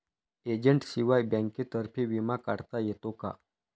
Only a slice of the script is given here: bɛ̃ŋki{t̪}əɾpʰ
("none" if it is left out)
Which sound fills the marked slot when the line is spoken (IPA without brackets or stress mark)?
t̪